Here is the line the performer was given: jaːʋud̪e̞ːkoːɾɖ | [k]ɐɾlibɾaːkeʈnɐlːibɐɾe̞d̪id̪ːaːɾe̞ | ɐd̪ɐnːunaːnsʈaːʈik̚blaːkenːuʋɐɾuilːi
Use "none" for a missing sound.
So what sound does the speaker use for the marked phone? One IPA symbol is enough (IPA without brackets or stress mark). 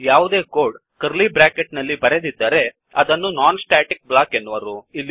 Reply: k